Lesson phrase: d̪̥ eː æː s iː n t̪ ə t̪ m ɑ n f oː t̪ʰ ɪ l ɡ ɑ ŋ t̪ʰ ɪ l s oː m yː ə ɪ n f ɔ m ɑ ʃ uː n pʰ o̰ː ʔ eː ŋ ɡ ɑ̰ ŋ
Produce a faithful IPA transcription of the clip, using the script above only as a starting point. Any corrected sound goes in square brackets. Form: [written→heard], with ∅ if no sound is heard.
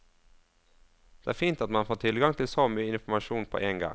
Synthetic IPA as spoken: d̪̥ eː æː [s→f] iː n t̪ [ə→ɑ] t̪ m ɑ n f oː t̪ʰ ɪ l ɡ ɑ ŋ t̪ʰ ɪ l s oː m yː ə ɪ n f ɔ m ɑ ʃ uː n pʰ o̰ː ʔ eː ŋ ɡ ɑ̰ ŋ